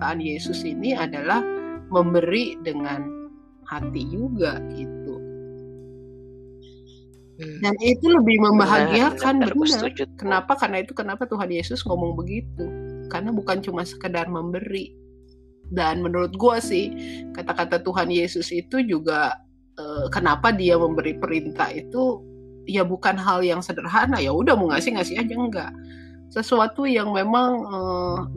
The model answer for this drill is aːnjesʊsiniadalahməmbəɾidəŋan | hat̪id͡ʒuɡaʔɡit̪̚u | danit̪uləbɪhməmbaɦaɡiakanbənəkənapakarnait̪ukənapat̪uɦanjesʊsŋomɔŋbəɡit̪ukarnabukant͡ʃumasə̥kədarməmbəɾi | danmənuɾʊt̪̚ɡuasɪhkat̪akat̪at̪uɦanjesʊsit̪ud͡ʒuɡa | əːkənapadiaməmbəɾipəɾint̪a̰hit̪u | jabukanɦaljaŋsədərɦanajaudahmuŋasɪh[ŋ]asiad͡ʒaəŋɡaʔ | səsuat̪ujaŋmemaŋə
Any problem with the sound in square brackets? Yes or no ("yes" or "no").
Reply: no